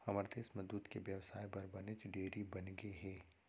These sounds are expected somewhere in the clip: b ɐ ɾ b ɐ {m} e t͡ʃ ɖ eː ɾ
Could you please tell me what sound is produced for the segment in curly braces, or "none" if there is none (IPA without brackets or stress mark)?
n